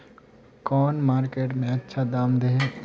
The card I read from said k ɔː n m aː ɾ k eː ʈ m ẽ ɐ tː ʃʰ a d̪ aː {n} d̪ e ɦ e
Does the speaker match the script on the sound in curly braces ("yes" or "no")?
no